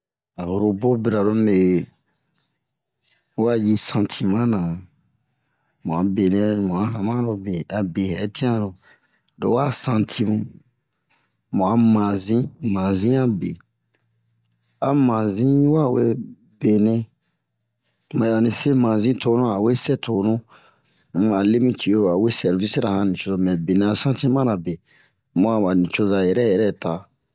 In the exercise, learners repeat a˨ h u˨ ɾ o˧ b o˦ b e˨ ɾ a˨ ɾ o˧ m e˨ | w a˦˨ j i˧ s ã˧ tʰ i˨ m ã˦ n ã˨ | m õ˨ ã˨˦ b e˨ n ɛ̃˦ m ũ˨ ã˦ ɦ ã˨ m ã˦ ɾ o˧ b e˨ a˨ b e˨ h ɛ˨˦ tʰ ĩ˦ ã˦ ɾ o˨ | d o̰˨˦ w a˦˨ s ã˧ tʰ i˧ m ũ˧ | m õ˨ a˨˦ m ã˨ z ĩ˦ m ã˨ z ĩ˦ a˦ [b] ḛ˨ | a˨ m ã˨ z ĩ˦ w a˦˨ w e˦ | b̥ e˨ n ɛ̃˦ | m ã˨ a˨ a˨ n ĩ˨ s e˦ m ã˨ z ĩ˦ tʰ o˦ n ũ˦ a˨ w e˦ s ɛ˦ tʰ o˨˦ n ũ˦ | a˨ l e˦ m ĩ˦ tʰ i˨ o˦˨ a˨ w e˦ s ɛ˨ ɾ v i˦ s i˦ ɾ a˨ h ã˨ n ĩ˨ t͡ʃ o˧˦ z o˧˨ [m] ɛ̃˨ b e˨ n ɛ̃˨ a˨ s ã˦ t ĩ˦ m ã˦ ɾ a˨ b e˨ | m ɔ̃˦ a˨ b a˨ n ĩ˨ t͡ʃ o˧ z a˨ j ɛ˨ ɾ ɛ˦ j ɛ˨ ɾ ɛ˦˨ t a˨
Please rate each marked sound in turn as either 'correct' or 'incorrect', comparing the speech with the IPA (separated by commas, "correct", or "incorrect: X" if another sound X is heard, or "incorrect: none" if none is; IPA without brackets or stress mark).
correct, correct